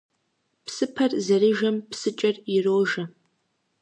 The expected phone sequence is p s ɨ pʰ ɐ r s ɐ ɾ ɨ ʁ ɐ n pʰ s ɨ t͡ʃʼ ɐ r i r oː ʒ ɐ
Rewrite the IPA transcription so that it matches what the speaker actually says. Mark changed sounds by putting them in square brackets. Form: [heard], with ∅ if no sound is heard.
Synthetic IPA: p s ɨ pʰ ɐ r [z] ɐ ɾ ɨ [ʒ] ɐ [m] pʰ s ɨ t͡ʃʼ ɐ r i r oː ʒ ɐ